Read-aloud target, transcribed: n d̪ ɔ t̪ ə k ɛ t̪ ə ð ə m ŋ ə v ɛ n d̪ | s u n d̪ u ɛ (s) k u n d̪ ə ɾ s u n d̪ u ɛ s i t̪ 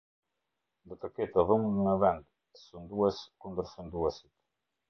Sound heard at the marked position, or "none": s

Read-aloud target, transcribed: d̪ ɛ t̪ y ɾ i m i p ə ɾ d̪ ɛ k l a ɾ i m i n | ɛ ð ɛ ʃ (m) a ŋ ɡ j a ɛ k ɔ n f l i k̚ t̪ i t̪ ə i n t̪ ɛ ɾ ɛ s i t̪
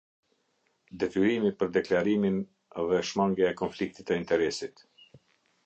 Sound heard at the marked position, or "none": m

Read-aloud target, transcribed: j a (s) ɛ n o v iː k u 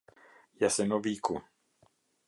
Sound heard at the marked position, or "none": s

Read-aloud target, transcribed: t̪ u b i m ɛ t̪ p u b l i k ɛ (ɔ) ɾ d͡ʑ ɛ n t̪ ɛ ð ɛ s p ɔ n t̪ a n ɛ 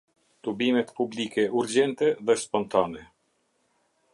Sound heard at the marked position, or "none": u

